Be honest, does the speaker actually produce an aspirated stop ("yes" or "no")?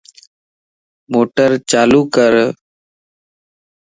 no